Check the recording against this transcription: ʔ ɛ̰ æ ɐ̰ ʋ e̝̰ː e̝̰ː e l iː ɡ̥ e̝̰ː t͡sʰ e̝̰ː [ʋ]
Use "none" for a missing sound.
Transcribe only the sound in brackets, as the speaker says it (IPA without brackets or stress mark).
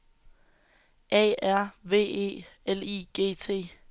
none